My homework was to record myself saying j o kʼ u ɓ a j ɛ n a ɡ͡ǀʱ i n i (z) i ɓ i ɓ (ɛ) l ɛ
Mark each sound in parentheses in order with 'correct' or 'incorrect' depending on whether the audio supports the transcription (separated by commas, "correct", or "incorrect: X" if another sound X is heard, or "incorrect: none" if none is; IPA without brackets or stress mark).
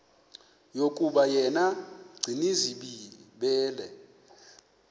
correct, incorrect: ɛː